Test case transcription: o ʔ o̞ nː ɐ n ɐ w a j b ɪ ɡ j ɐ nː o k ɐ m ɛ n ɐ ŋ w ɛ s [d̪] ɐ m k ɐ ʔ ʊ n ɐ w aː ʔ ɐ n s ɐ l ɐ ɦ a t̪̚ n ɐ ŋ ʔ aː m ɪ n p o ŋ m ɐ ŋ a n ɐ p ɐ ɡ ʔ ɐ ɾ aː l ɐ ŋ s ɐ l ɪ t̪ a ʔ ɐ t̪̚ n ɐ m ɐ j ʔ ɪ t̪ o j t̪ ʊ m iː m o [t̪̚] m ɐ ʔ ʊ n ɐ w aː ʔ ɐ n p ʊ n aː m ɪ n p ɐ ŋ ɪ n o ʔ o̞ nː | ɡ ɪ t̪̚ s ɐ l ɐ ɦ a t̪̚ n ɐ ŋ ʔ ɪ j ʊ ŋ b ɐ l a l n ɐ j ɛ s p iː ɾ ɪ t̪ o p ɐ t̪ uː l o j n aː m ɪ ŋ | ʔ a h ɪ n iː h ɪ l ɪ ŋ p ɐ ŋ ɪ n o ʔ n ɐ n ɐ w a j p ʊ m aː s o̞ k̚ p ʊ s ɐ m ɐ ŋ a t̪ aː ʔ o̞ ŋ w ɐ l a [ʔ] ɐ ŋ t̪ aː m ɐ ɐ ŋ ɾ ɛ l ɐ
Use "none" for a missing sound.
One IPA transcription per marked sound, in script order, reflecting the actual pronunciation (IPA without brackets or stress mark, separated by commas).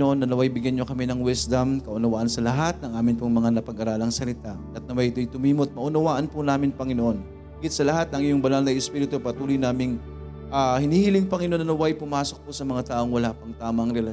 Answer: d̪, t̪̚, p